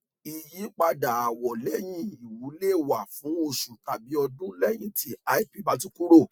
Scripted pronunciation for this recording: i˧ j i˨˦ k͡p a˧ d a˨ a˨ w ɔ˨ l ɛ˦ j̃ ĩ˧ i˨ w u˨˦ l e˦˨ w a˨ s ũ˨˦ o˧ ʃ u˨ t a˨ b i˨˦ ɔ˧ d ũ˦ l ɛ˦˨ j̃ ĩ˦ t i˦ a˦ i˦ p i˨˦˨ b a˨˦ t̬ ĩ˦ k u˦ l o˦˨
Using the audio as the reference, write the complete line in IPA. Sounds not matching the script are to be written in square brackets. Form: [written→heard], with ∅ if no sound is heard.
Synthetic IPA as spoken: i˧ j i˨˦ k͡p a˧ d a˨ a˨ w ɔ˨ l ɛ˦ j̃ ĩ˧ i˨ w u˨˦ l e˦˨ w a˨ [s→f] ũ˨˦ o˧ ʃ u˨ t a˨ b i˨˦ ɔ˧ d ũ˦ l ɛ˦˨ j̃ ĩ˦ t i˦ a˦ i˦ p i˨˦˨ b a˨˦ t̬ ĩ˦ k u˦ [l→ɾ] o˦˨